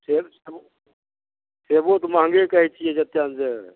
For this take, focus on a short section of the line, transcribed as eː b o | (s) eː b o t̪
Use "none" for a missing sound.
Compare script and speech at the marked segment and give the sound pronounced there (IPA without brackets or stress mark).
s